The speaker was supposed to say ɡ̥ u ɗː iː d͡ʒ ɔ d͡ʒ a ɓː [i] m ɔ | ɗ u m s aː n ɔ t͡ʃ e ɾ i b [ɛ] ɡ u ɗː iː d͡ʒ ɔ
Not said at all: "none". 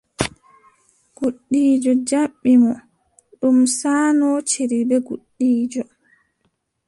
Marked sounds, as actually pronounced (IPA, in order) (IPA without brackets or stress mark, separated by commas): i, ɛ